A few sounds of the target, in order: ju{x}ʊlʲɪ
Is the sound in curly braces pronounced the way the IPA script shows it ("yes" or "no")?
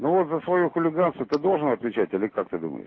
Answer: yes